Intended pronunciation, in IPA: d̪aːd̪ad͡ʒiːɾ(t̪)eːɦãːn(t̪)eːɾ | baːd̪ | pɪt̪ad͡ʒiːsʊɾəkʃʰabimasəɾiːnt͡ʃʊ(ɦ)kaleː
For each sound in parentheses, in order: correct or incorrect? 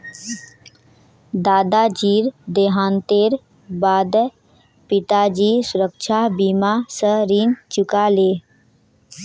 incorrect: d̪, correct, incorrect: none

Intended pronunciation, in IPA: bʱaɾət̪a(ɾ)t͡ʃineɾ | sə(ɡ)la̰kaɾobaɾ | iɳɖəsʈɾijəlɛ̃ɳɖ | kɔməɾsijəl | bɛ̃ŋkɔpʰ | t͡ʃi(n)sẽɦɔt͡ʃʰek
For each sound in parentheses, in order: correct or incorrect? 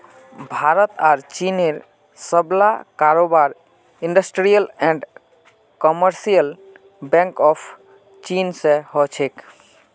correct, incorrect: b, correct

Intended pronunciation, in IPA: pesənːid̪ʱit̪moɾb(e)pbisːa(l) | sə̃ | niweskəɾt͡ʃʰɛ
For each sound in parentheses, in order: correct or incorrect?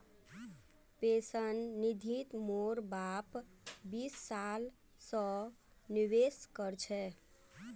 incorrect: a, correct

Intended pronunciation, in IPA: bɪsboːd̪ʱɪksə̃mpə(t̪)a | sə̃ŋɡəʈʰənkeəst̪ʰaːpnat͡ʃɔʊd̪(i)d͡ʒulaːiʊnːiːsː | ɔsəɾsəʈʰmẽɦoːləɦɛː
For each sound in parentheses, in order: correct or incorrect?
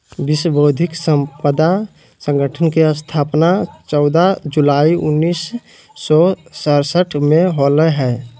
incorrect: d̪, incorrect: a

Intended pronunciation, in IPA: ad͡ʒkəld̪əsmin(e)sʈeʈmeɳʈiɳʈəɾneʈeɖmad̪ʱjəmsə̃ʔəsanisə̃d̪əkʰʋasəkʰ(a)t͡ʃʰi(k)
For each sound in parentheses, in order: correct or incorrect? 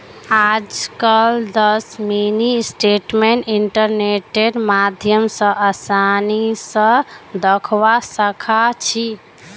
incorrect: i, correct, incorrect: none

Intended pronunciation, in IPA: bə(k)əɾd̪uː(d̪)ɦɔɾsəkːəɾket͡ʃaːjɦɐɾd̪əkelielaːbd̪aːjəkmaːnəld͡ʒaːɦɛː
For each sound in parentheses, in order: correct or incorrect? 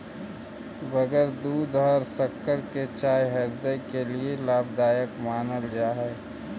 incorrect: ɡ, correct

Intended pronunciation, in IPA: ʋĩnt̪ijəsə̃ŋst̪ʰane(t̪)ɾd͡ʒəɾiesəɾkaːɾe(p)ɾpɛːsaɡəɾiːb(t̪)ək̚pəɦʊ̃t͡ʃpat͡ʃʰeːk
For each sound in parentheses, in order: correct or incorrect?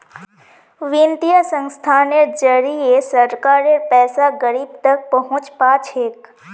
incorrect: none, incorrect: none, correct

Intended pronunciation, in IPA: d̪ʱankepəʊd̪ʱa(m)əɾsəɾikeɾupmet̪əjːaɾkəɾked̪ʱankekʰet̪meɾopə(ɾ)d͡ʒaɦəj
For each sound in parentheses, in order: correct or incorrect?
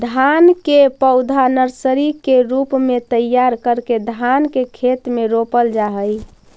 incorrect: n, incorrect: l

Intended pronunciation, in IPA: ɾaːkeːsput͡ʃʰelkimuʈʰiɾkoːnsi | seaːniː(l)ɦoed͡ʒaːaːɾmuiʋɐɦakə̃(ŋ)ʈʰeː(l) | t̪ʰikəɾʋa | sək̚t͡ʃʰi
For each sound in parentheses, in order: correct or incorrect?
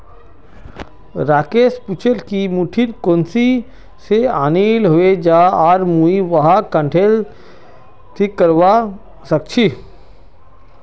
correct, incorrect: ɳ, correct

